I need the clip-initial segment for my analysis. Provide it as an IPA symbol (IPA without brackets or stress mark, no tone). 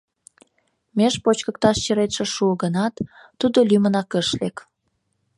m